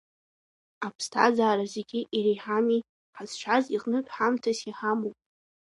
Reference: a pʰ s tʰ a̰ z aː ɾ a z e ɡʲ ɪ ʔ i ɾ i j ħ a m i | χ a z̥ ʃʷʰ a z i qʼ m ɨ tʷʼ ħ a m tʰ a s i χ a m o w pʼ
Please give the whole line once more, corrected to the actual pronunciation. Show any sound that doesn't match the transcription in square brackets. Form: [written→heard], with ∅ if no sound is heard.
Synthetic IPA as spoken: a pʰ s tʰ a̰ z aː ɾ a z e ɡʲ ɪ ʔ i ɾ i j ħ a m i | [χ→ħ] a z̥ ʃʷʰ a z i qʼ [m→n] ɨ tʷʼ ħ a m tʰ a s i [χ→ħ] a m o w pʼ